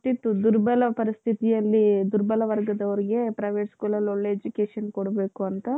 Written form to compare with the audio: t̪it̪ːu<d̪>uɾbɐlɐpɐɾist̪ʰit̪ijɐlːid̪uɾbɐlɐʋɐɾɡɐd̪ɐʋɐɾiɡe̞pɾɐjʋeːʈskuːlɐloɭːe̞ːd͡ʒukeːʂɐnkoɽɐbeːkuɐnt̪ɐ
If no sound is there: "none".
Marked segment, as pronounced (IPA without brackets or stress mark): d̪